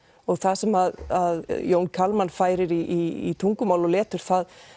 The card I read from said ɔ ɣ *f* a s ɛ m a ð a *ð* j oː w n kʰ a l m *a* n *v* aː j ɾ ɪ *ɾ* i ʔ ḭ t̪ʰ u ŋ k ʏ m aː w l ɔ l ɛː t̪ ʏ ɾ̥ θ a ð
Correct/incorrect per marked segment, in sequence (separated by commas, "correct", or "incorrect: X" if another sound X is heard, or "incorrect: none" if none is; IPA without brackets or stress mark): incorrect: θ, correct, correct, incorrect: f, correct